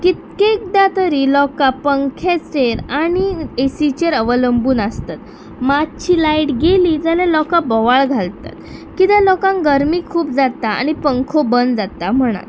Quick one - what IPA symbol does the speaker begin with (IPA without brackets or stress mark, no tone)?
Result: k